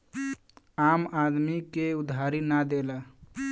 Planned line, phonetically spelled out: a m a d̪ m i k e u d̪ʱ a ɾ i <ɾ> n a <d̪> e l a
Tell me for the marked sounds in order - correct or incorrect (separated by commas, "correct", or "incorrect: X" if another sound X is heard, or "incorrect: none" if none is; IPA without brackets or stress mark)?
incorrect: none, correct